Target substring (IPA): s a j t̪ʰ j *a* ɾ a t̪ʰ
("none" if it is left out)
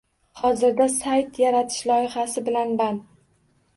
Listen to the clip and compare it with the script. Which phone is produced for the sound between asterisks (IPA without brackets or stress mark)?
a